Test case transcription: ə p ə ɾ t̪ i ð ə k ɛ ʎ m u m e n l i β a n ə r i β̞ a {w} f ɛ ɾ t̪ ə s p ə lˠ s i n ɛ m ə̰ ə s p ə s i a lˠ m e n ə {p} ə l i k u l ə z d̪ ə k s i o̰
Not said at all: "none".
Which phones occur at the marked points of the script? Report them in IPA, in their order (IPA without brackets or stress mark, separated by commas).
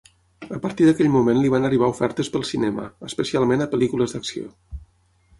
u, p